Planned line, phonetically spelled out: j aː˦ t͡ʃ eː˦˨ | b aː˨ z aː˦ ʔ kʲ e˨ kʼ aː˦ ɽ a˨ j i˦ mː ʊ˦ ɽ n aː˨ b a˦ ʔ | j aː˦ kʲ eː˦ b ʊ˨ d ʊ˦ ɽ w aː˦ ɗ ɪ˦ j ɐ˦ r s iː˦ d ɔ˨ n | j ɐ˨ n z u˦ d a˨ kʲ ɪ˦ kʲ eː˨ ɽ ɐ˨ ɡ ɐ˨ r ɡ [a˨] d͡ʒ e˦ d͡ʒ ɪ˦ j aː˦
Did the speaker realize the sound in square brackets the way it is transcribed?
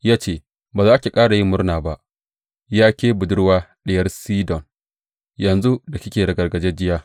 no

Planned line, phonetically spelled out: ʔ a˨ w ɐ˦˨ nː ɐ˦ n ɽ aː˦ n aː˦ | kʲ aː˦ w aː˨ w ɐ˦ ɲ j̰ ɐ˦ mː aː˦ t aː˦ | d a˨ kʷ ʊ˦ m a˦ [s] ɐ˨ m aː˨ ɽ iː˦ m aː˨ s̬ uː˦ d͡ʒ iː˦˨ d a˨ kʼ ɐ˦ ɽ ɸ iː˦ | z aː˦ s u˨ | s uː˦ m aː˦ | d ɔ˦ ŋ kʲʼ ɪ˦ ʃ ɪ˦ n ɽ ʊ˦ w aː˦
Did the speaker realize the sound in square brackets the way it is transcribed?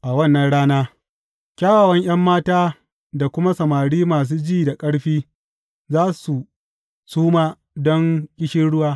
yes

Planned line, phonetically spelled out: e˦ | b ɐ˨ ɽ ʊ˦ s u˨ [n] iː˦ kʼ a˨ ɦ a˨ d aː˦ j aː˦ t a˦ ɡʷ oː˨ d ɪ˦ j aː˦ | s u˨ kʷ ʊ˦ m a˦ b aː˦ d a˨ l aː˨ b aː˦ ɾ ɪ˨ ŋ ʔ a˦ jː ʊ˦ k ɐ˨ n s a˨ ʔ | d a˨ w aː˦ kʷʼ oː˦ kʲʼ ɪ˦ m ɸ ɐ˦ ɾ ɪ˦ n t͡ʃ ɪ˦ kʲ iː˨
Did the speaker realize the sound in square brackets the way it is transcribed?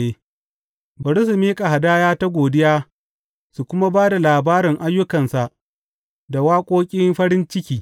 no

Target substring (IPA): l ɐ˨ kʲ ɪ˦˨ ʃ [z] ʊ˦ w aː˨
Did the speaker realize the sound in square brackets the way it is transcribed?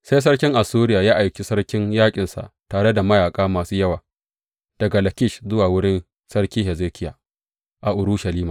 yes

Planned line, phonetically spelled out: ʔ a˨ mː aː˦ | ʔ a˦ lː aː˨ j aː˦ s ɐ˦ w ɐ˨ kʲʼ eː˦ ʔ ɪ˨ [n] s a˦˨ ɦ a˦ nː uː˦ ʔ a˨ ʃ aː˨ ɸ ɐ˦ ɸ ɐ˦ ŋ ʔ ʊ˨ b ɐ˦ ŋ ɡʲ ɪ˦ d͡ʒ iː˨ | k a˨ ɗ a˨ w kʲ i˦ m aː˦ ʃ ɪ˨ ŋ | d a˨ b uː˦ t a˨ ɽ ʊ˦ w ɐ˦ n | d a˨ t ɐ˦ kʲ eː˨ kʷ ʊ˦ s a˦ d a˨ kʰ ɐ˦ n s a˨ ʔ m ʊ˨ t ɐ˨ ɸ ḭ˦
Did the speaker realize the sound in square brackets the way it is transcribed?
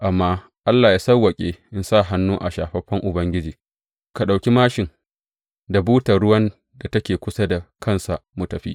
yes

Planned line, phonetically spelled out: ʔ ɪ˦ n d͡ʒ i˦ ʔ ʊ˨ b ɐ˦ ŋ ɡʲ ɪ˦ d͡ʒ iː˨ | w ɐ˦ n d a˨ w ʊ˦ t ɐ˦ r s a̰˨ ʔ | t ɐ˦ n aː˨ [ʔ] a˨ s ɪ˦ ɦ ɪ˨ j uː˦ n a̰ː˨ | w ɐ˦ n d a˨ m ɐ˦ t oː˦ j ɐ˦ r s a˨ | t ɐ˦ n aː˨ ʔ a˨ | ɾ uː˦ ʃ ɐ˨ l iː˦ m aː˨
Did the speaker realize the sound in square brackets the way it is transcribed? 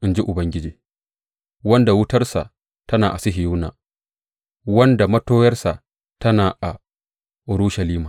yes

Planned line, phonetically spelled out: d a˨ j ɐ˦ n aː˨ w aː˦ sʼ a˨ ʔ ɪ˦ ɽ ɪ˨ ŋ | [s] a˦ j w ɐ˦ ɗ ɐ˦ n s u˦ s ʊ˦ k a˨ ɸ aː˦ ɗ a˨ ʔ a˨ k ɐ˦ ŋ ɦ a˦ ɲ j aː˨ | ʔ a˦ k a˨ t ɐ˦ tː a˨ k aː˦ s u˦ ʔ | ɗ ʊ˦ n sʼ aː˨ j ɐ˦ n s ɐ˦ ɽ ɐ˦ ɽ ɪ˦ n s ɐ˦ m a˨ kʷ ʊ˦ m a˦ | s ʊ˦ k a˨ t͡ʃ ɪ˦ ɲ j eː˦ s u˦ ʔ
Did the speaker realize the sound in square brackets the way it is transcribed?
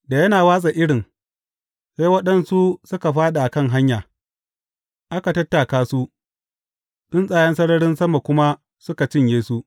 yes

